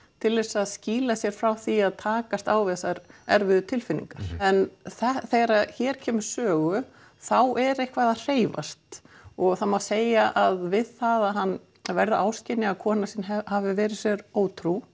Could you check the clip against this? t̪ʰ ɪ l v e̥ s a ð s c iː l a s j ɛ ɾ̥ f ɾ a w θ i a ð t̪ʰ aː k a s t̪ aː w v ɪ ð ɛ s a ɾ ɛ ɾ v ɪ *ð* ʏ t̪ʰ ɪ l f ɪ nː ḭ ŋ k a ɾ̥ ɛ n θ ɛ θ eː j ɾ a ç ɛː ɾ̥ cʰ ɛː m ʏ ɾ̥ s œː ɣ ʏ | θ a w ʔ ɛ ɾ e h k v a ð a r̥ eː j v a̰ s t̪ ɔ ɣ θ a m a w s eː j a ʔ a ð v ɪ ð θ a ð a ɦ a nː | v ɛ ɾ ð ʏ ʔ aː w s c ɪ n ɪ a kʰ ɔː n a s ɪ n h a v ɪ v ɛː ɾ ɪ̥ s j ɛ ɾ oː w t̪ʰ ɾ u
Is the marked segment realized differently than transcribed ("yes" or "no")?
no